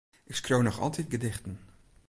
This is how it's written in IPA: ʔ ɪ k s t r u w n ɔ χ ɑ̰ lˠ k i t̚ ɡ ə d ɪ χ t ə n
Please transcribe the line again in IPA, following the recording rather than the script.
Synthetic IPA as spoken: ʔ ɪ k s k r o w n ɔ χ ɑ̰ lˠ t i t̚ ɡ ə d ɪ χ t ə n